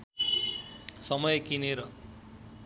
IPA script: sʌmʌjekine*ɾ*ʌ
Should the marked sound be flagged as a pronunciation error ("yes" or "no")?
no